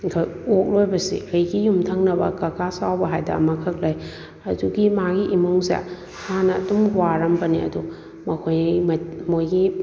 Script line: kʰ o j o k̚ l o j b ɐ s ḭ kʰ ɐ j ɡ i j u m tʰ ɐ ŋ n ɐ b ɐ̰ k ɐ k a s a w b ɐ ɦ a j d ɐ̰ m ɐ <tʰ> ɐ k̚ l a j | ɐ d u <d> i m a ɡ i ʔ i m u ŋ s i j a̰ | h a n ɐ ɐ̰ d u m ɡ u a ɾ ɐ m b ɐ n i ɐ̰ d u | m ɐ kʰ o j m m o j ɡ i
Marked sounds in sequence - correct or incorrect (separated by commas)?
incorrect, incorrect